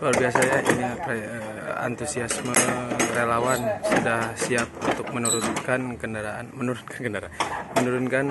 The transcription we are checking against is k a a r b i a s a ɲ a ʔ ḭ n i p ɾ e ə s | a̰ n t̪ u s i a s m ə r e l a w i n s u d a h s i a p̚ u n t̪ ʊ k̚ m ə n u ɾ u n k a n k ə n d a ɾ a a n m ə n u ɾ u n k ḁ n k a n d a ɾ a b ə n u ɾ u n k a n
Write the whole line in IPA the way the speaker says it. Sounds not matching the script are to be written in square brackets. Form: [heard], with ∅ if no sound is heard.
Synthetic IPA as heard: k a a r b i a s a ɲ a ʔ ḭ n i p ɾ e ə [∅] | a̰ n t̪ u s i a s m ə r e l a w [a] n s u d a h s i a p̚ u n t̪ ʊ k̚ m ə n u ɾ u n k a n k ə n d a ɾ a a n m ə n u ɾ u n k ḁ n k [ə] n d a ɾ a [m] ə n u ɾ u n k a n

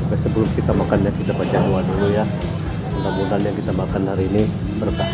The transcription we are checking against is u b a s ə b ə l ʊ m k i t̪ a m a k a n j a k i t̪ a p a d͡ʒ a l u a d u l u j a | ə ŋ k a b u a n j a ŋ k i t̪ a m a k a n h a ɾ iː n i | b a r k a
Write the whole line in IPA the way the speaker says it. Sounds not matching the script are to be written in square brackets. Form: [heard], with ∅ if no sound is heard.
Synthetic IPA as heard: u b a s ə b ə l ʊ m k i t̪ a m a k a n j a k i t̪ a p a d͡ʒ a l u a d u l u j a | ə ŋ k a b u a n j a ŋ k i t̪ a m a k a n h a ɾ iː n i | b [ə] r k a

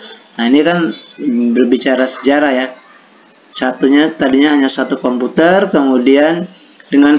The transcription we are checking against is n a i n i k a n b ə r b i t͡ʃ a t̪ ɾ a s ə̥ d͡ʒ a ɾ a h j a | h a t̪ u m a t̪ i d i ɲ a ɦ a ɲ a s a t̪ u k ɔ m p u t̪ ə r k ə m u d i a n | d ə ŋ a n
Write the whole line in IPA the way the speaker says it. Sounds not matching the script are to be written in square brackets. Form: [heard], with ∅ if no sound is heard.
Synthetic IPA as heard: n a i n i k a n b ə r b i t͡ʃ a [∅] ɾ a s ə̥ d͡ʒ a ɾ a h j a | [s] a t̪ u [ɲ] a t̪ [a] d i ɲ a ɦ a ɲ a s a t̪ u k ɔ m p u t̪ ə r k ə m u d i a n | d ə ŋ a n

